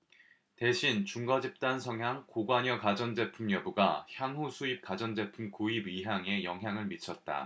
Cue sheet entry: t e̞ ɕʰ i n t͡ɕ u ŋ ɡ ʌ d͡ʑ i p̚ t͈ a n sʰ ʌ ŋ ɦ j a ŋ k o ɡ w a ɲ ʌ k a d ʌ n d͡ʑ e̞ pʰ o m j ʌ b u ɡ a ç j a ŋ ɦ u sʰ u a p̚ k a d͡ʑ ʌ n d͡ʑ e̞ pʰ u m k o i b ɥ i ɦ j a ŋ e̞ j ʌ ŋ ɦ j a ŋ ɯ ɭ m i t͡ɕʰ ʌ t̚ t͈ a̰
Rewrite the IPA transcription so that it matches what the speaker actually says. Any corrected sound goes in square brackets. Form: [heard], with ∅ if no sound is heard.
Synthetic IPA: t e̞ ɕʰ i n t͡ɕ u ŋ ɡ ʌ d͡ʑ i p̚ t͈ a n sʰ ʌ ŋ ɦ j a ŋ k o ɡ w a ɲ ʌ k a [d͡ʑ] ʌ n d͡ʑ e̞ pʰ [u] m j ʌ b u ɡ a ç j a ŋ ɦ u sʰ u [i] p̚ k a d͡ʑ ʌ n d͡ʑ e̞ pʰ u m k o i b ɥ i ɦ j a ŋ e̞ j ʌ ŋ ɦ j a ŋ ɯ ɭ m i t͡ɕʰ ʌ t̚ t͈ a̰

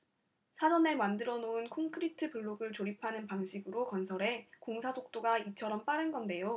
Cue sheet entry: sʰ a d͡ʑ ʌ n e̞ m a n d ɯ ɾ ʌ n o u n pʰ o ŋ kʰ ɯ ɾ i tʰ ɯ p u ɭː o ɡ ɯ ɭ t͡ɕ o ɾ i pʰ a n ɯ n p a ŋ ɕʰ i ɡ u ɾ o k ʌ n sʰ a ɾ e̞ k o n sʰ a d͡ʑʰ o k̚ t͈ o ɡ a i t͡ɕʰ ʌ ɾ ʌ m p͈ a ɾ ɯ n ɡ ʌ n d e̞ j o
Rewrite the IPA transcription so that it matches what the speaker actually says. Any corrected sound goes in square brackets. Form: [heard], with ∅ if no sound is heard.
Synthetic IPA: sʰ a d͡ʑ ʌ n e̞ m a n d ɯ ɾ ʌ n o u n [kʰ] o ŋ kʰ ɯ ɾ i tʰ ɯ p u ɭː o ɡ ɯ ɭ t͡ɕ o ɾ i pʰ a n ɯ n p a ŋ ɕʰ i ɡ [ɯ] ɾ o k ʌ n sʰ [ʌ] ɾ e̞ k o [ŋ] sʰ a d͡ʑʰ o k̚ t͈ o ɡ a i t͡ɕʰ ʌ ɾ ʌ m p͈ a ɾ ɯ n ɡ ʌ n d e̞ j o

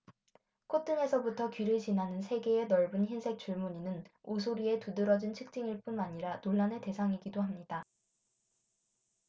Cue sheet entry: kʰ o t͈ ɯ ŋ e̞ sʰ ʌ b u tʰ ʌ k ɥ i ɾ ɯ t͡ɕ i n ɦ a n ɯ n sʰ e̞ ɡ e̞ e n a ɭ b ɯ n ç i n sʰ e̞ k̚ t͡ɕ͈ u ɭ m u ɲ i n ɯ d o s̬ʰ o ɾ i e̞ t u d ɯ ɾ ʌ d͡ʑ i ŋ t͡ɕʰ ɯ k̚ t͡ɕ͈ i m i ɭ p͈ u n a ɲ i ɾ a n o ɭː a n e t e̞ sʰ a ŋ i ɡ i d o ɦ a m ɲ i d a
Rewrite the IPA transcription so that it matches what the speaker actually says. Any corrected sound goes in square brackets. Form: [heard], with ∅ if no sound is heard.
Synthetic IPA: kʰ o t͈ ɯ ŋ e̞ sʰ ʌ b u tʰ ʌ k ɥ i ɾ ɯ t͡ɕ i n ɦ a n ɯ n sʰ e̞ ɡ e̞ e n [ʌ] ɭ b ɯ n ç i n sʰ e̞ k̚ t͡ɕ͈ u ɭ m u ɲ i n ɯ [n] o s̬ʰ o ɾ i e̞ t u d ɯ ɾ ʌ d͡ʑ i [n] t͡ɕʰ ɯ k̚ t͡ɕ͈ i [ŋ] i ɭ p͈ u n a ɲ i ɾ a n o ɭː a n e t e̞ sʰ a ŋ i ɡ i d o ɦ a m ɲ i d a

